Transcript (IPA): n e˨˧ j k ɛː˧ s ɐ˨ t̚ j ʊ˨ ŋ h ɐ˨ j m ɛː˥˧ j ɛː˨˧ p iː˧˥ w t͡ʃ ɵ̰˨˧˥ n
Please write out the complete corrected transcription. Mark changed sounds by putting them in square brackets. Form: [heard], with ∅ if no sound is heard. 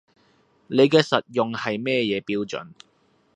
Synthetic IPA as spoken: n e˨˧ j k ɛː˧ s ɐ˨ t̚ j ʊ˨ ŋ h ɐ˨ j m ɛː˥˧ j ɛː˨˧ p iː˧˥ w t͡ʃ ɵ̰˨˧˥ n